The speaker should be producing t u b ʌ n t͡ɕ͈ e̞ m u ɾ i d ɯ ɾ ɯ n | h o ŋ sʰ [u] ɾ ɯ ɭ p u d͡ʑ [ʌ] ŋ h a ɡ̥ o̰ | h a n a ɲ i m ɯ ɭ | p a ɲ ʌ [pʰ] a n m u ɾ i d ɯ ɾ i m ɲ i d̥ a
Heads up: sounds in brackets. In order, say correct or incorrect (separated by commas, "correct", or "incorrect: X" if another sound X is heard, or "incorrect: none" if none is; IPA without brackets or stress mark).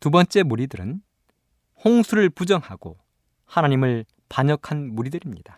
correct, correct, incorrect: kʰ